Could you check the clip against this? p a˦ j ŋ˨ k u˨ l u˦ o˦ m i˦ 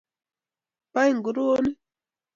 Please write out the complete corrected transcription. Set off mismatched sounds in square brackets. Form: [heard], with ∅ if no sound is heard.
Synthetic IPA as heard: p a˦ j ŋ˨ [ɡ] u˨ [ɾ] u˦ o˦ [n] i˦